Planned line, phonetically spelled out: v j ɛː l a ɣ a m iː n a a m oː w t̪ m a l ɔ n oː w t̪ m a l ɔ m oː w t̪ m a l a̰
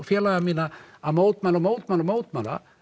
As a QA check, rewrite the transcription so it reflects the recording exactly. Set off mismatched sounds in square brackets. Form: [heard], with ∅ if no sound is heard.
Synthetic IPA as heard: [f] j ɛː l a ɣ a m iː n a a m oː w t̪ m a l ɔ [m] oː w t̪ m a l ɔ m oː w t̪ m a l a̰